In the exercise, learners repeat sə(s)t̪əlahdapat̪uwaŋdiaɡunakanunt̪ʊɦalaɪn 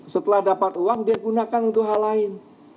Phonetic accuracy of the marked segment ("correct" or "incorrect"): incorrect